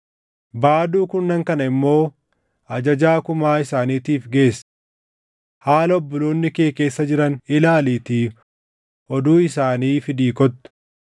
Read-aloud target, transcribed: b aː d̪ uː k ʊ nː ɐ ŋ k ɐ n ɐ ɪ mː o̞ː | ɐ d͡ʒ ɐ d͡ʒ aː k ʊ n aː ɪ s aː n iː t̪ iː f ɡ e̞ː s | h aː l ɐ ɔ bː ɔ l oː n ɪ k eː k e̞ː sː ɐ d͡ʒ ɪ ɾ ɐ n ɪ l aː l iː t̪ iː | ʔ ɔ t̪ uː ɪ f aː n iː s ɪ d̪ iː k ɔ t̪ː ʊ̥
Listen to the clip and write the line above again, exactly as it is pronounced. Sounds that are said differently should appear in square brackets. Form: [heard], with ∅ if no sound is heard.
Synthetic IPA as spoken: b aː d̪ uː k ʊ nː ɐ ŋ k ɐ n ɐ ɪ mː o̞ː | ɐ d͡ʒ ɐ d͡ʒ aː k ʊ [m] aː ɪ s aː n iː t̪ iː f ɡ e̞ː s | h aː l ɐ ɔ bː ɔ l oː [nː] ɪ k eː k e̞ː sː ɐ d͡ʒ ɪ ɾ ɐ n ɪ l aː l iː t̪ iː | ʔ ɔ [d̪] uː ɪ [s] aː n iː [f] ɪ d̪ iː k ɔ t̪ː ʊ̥